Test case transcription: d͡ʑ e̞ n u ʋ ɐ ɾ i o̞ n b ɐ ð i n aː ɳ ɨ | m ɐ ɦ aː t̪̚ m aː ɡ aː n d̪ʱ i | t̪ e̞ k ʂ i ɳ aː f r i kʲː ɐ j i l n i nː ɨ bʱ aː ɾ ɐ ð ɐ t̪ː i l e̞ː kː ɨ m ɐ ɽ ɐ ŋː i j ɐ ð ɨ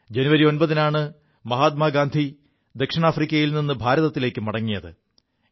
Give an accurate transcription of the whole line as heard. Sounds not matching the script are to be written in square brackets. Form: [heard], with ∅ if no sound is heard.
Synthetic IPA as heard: d͡ʑ e̞ n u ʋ ɐ ɾ i o̞ n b ɐ ð i n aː ɳ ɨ | m ɐ ɦ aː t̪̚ m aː ɡ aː n d̪ʱ i | [d̪] e̞ k ʂ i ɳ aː f r i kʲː ɐ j i l n i nː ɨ bʱ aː ɾ ɐ ð ɐ t̪ː i l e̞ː kː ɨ m ɐ ɽ ɐ ŋː i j ɐ ð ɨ